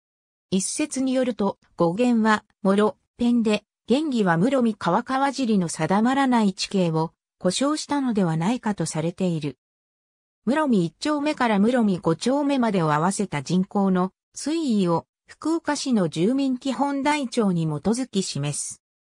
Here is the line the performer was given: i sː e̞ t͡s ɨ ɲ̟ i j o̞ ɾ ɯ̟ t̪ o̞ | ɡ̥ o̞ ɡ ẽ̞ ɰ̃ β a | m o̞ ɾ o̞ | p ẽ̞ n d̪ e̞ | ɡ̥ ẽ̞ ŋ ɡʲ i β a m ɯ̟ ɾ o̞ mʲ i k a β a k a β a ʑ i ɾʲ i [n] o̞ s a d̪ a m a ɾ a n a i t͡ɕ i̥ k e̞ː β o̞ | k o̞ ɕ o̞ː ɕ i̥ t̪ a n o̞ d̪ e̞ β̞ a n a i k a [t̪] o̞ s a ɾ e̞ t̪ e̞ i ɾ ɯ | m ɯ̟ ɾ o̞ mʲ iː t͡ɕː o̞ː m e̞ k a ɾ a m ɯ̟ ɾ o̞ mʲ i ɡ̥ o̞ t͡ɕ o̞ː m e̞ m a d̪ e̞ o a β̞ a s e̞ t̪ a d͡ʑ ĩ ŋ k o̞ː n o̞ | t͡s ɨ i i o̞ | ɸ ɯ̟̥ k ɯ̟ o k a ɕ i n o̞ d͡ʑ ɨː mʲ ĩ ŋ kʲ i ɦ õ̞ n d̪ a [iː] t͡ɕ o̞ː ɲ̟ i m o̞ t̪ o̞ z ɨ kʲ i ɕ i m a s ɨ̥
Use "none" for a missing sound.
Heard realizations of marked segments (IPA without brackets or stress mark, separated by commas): n, t̪, i